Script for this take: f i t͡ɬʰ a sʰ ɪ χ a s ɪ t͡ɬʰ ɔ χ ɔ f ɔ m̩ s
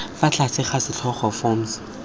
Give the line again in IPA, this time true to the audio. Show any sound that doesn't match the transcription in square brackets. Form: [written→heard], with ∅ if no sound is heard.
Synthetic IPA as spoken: f [i→a] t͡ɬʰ a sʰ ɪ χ a s ɪ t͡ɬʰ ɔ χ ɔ f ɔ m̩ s

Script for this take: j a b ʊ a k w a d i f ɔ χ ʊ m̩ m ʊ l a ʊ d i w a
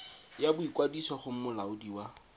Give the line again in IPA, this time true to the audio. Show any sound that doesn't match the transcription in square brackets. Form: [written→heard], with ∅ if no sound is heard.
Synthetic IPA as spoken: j a b ʊ [a→i] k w a d i [f→s] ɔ χ ʊ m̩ m ʊ l a ʊ d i w a

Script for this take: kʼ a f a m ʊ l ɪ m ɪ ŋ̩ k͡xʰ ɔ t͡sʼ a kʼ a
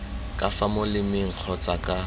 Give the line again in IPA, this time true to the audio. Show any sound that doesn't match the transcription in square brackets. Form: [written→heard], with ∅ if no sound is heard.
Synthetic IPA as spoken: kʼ a f a m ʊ l ɪ m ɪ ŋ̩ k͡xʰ ɔ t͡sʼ a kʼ a

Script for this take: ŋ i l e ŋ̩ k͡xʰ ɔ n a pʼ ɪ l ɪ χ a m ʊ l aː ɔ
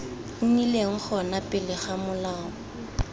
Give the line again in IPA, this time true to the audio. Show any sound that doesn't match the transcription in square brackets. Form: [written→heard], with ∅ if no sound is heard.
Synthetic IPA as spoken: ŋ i l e ŋ̩ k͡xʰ ɔ n a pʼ ɪ l ɪ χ a m ʊ l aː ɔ

